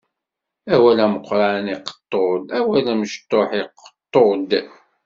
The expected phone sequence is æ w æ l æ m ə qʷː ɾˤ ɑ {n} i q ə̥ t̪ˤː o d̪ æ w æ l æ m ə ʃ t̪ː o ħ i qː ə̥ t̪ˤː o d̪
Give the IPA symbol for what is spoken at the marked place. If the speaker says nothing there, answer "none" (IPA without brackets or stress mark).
n